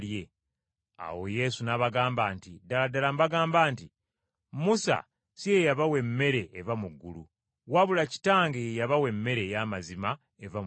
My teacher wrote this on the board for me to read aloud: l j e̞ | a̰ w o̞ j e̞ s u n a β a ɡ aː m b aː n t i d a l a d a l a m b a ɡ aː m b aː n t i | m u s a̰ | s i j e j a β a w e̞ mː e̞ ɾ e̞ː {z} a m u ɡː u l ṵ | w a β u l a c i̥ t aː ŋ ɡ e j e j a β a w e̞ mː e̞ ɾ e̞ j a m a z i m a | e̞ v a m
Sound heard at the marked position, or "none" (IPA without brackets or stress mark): v